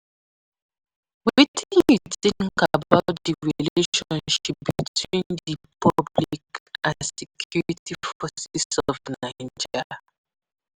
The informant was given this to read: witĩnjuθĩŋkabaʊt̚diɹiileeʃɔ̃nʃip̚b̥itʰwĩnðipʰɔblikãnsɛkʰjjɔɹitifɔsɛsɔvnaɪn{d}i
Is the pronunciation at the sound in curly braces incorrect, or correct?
incorrect